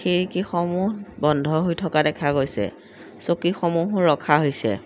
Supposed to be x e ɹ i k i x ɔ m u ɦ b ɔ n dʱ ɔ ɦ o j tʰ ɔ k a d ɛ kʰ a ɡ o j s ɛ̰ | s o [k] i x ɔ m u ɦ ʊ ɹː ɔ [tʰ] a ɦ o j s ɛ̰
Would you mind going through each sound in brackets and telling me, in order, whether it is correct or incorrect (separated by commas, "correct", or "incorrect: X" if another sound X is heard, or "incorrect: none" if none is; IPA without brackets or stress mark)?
correct, incorrect: kʰ